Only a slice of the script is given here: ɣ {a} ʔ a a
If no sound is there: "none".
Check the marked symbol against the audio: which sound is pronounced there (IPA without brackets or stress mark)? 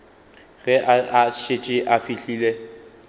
ɛ